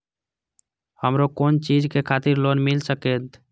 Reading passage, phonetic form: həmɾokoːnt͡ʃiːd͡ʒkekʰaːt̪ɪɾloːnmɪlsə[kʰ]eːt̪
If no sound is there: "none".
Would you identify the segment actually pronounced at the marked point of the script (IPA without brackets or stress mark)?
k